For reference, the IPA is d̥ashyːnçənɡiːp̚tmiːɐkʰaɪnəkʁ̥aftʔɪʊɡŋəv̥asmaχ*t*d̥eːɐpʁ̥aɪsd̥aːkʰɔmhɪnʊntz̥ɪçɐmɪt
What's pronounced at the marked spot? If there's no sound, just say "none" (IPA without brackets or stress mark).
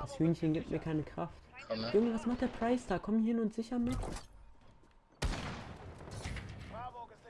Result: t